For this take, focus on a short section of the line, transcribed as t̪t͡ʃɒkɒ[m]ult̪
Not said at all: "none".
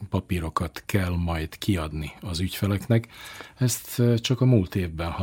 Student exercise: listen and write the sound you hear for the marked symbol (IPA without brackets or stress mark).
m